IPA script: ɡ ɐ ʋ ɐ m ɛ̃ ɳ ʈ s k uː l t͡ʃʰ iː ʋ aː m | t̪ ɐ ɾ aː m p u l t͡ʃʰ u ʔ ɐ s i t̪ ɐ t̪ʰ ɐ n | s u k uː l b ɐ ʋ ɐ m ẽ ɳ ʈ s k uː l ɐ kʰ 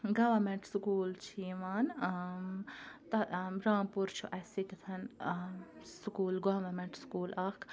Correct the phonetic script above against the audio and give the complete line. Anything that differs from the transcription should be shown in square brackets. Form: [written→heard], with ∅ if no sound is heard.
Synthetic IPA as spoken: ɡ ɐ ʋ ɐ m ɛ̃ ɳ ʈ s k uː l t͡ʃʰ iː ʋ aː [m→n] | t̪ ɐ ɾ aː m p u [l→ɾ] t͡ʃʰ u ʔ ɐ s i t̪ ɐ t̪ʰ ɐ n | s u k uː l [b→ɡ] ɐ ʋ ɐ m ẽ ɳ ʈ s k uː l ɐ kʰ